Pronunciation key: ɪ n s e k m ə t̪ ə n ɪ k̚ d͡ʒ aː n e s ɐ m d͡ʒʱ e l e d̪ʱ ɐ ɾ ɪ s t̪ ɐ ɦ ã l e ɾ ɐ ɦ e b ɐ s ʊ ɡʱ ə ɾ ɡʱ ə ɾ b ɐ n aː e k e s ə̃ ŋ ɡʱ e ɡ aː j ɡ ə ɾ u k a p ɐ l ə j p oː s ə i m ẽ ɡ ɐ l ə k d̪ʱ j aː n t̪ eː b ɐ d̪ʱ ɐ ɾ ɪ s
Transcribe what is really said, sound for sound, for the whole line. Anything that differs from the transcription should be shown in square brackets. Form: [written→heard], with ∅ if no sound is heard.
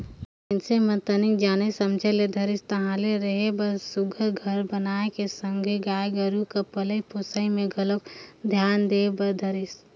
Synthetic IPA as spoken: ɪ n s e [k→∅] m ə t̪ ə n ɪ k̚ d͡ʒ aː n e s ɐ m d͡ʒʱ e l e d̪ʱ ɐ ɾ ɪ s t̪ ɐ ɦ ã l e ɾ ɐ ɦ e b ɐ s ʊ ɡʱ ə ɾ ɡʱ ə ɾ b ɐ n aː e k e s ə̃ ŋ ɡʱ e ɡ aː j ɡ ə ɾ u k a p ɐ l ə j p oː s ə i m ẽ ɡ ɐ l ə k d̪ʱ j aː n [t̪→d̪] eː b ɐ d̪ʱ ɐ ɾ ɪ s